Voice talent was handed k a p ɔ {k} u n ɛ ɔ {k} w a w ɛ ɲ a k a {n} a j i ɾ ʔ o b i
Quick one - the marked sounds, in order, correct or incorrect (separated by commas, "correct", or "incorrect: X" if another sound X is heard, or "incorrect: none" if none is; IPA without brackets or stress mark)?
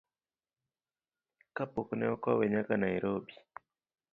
correct, correct, correct